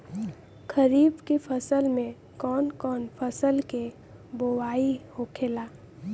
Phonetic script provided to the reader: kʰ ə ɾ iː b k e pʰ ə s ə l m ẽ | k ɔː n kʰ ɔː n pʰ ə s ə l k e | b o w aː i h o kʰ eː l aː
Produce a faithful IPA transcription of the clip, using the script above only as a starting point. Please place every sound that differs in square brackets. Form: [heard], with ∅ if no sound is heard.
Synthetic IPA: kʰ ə ɾ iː b k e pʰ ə s ə l m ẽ | k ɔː n [k] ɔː n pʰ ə s ə l k e | b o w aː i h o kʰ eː l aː

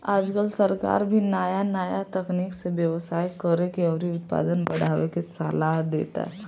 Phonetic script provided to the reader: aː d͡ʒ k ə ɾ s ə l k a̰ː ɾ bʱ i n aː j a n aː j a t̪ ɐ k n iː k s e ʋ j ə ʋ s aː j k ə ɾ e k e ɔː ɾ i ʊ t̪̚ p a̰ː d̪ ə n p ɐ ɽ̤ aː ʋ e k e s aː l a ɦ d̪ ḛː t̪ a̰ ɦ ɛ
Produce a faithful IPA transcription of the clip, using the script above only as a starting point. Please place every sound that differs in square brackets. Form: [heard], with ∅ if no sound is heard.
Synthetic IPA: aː d͡ʒ k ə [l] s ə [ɾ] k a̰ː ɾ bʱ i n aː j a n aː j a t̪ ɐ k n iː k s e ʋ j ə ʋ s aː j k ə ɾ e k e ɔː ɾ i ʊ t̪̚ p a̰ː d̪ ə n [b] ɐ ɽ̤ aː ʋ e k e s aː l a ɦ d̪ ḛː t̪ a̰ ɦ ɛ

